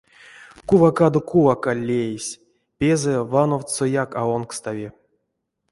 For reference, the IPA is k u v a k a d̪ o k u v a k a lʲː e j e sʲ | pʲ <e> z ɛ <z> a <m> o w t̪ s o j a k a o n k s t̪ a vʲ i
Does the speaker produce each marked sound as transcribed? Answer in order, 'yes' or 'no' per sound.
yes, no, no

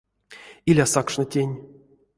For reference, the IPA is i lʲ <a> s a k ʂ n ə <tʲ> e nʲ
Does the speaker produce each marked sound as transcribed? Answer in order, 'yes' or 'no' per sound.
yes, yes

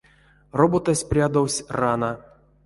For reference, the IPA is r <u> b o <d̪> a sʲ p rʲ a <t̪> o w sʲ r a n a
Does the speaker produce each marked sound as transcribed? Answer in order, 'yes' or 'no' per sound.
no, no, no

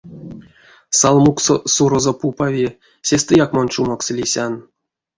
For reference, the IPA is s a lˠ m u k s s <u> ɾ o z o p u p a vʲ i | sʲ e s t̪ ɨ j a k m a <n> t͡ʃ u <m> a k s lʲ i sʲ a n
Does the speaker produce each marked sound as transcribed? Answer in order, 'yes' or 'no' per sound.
yes, yes, yes

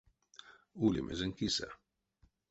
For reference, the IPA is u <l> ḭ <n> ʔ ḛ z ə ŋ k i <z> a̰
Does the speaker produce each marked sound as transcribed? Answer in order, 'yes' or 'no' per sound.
yes, no, no

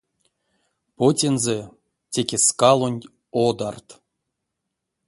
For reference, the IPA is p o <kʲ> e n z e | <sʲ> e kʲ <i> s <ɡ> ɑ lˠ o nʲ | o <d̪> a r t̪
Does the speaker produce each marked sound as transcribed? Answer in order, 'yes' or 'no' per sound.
no, no, no, no, yes

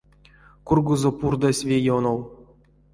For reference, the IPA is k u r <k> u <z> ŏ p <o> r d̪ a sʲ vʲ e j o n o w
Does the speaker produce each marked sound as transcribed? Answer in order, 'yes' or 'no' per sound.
no, yes, no

